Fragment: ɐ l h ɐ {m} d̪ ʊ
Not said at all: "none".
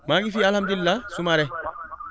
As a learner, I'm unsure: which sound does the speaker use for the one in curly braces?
m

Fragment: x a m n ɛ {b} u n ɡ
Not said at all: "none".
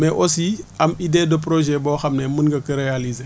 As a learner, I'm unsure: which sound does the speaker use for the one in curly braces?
m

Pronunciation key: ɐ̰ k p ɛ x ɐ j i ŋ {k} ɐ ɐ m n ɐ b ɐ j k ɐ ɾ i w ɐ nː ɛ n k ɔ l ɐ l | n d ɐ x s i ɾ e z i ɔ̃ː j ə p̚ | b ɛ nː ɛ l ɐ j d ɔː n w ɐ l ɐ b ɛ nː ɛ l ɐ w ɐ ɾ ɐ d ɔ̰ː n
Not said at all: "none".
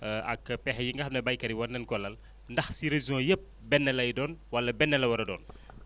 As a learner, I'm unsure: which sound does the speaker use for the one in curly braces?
ɡ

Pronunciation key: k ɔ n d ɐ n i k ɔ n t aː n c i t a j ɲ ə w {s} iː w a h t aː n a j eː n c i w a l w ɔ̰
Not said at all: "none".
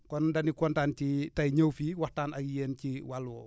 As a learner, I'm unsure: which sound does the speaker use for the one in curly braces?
f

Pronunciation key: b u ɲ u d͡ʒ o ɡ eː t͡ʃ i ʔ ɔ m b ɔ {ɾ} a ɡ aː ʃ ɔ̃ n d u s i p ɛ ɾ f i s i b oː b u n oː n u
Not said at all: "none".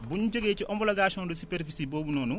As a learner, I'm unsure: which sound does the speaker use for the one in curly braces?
l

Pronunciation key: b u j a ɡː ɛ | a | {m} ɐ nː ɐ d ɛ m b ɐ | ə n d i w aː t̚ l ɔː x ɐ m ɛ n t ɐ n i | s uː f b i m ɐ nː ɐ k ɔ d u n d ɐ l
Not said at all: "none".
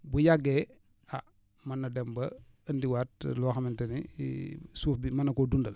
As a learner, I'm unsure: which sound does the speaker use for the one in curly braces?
m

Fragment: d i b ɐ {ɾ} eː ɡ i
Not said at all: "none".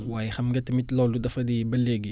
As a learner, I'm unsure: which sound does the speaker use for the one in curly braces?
l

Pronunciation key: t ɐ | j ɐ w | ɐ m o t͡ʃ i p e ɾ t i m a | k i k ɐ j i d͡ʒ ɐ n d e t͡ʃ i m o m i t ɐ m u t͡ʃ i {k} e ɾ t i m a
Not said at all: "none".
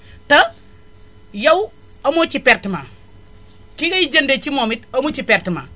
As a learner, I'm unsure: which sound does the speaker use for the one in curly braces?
p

